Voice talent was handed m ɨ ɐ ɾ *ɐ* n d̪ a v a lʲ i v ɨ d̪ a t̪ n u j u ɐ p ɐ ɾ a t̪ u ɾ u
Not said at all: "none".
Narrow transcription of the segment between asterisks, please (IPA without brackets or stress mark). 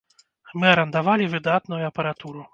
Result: ɐ